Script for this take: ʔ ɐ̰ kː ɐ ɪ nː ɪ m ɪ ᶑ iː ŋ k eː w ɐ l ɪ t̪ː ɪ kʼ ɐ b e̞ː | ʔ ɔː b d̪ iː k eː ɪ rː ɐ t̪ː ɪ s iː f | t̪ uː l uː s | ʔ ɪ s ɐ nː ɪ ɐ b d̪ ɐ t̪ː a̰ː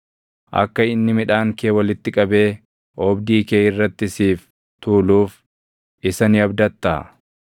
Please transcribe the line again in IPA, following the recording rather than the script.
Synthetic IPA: ʔ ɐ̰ kː ɐ ɪ nː ɪ m ɪ ᶑ aː ŋ k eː w ɐ l ɪ t̪ː ɪ kʼ ɐ b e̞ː | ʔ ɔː b d̪ iː k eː ɪ rː ɐ t̪ː ɪ s iː f | t̪ uː l uː f | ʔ ɪ s ɐ n ɪ ɐ b d̪ ɐ t̪ː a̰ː